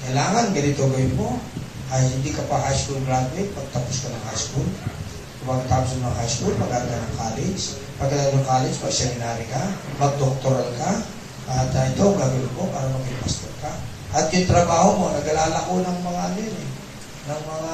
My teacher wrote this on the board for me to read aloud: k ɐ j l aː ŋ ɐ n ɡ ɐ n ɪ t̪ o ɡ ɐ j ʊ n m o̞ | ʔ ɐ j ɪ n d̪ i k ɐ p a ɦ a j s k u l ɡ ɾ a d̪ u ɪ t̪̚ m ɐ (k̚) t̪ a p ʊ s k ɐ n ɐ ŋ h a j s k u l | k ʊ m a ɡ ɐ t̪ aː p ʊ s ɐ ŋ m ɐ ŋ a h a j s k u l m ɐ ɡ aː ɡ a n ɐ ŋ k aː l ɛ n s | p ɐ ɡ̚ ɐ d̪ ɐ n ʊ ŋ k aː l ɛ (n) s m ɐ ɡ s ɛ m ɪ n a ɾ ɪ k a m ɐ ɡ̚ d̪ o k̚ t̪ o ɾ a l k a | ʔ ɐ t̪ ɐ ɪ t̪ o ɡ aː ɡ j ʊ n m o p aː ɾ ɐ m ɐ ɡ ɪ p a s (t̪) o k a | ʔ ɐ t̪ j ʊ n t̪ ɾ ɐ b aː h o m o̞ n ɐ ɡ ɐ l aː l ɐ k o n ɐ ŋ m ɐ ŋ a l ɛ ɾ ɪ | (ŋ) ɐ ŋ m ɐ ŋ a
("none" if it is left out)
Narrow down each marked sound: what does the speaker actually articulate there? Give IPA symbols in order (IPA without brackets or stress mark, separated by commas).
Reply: ɡ̚, n, t̪, n